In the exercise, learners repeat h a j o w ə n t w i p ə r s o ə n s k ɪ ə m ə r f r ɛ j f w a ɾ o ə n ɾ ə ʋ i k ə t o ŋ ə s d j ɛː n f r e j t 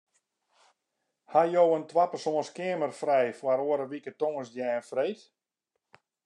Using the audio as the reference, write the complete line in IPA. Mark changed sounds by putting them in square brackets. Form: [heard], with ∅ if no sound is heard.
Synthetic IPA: h a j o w ə n t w [a] p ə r s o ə n s k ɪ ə m ə r f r ɛ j f w a ɾ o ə [∅] ɾ ə ʋ i k ə t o ŋ ə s d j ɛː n f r e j t